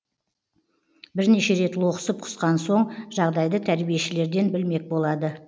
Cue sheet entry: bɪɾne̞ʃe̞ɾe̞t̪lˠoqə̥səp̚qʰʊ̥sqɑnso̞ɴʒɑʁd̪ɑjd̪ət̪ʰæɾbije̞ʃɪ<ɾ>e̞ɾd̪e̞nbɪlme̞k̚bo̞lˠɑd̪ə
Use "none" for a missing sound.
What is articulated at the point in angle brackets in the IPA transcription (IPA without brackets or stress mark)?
l